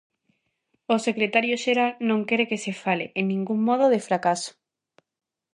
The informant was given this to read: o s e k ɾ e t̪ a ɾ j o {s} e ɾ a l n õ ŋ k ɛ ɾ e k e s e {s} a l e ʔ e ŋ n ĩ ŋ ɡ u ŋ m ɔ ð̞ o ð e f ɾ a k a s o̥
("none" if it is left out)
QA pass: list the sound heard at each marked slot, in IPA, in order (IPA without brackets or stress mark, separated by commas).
ʃ, f